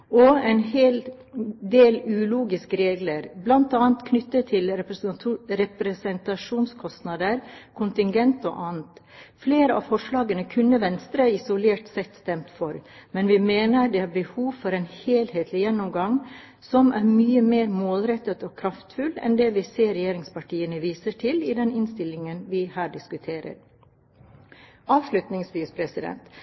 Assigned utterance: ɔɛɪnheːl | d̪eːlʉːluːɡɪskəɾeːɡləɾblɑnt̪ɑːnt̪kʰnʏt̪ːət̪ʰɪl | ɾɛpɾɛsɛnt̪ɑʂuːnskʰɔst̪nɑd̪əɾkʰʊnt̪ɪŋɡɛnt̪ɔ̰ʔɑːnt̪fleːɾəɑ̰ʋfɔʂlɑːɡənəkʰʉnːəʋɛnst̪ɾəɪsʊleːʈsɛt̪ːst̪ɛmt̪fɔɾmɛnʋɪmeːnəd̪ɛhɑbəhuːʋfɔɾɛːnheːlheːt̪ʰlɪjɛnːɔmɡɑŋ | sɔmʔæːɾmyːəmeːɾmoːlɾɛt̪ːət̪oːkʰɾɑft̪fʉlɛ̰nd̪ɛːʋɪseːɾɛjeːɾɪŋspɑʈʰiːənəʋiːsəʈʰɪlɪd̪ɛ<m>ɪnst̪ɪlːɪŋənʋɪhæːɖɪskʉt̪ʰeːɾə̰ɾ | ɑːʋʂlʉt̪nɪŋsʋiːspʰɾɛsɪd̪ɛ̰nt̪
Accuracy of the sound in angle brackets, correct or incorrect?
incorrect